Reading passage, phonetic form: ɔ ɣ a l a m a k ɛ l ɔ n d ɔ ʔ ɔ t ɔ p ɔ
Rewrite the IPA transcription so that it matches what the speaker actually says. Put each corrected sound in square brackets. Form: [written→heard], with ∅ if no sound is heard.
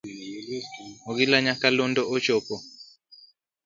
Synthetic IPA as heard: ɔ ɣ [a→i] l a [m→ɲ] a k [ɛ→a] l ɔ n d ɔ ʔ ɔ [t→t͡ʃ] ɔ p ɔ